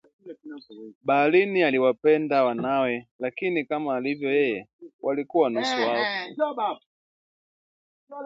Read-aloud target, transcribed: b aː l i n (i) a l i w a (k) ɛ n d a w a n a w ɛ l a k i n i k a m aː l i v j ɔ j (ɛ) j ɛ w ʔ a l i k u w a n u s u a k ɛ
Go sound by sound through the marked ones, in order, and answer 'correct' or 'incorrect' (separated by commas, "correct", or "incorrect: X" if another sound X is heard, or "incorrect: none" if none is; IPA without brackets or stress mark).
correct, incorrect: p, correct